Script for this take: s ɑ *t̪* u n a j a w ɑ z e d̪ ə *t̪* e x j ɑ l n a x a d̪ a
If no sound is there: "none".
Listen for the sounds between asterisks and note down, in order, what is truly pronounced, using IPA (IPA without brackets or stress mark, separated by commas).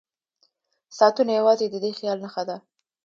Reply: t̪, d̪